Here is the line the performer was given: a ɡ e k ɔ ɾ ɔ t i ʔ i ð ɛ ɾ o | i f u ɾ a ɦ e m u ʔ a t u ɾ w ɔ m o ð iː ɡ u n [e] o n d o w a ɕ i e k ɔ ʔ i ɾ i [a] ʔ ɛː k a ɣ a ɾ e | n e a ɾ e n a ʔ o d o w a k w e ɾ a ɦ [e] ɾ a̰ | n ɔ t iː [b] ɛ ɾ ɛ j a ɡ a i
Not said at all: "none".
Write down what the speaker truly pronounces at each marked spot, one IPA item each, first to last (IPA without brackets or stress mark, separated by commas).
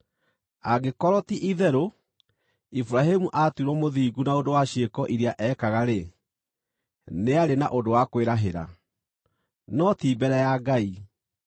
a, a, e, b